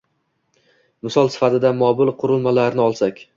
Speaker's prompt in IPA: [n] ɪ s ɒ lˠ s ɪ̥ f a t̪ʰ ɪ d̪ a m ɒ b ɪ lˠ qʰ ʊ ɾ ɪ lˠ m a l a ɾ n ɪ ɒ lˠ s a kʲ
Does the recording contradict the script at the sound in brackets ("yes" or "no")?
yes